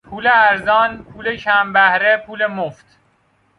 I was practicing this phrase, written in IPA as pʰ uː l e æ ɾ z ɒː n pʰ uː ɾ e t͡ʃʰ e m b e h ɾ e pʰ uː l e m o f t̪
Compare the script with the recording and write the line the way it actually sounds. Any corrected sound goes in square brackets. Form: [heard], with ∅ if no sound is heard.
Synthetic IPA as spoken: pʰ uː l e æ ɾ z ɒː n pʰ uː [l] e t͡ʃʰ [æ] m b [æ] h ɾ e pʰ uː l e m o f t̪